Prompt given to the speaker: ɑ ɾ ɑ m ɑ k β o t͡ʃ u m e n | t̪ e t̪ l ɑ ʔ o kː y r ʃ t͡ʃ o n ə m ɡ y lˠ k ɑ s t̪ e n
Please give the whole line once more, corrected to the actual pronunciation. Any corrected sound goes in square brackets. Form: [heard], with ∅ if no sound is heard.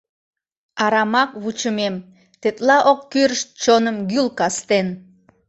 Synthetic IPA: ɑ ɾ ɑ m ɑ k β [u] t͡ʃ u m e [m] | t̪ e t̪ l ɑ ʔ o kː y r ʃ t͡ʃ o n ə m ɡ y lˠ k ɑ s t̪ e n